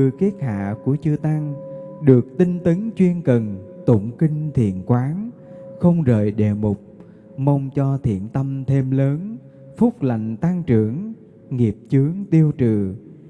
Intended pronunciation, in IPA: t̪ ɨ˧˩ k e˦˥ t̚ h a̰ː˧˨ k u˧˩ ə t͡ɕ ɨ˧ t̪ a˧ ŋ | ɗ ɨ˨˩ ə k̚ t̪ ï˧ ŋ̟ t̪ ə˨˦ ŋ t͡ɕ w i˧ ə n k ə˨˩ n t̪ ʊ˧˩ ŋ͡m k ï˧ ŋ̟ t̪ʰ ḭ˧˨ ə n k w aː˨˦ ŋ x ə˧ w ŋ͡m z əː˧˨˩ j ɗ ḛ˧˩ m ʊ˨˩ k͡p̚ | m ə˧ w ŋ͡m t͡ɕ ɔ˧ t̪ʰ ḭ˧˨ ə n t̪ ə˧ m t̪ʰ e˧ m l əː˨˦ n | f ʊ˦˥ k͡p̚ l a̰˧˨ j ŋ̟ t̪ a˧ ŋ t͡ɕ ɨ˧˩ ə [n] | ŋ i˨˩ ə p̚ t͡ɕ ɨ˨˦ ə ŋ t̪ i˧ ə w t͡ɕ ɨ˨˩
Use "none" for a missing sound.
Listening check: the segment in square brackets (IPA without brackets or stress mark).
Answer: ŋ